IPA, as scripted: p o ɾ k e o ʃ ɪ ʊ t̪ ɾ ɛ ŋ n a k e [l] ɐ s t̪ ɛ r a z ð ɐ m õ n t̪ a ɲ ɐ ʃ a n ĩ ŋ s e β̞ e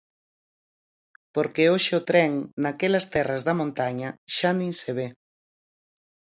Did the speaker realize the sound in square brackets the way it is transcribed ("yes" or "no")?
yes